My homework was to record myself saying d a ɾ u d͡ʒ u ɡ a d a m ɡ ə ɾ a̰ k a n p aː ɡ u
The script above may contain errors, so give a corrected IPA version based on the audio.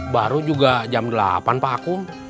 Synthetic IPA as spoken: b a ɾ u d͡ʒ u ɡ a d͡ʒ a m d ə l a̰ p a n p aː k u